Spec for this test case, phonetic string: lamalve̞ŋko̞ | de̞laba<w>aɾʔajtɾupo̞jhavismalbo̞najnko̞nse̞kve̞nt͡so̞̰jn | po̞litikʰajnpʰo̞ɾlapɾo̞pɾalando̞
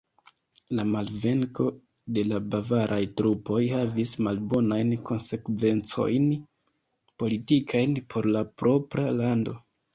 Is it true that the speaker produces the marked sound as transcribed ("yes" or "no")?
no